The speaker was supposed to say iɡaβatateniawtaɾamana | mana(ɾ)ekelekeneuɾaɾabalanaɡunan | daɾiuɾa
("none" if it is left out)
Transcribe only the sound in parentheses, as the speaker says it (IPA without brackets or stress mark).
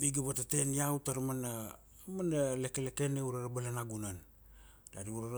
l